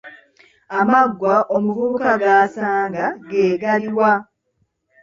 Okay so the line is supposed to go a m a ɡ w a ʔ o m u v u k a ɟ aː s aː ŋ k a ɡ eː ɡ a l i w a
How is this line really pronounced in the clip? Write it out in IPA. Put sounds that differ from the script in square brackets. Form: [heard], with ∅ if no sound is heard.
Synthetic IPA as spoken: a m a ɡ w a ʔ o m u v u k a [ɡ] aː s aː ŋ [ɡ] a ɡ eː ɡ a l i w a